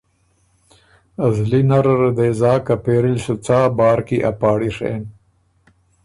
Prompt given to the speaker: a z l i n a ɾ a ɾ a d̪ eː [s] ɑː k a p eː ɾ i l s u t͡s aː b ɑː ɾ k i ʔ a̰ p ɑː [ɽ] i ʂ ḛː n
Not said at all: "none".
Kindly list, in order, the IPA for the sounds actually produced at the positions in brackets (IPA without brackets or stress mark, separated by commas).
z, ɽ